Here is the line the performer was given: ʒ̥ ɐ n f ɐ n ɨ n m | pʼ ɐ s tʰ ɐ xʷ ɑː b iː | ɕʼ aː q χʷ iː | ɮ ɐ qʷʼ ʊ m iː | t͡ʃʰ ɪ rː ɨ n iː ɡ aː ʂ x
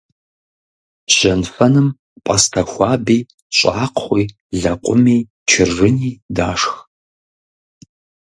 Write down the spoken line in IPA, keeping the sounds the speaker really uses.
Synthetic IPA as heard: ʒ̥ ɐ n f ɐ n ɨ m | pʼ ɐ s tʰ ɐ xʷ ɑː b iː | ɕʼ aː q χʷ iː | ɮ ɐ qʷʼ ʊ m iː | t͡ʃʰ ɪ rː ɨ n iː d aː ʂ x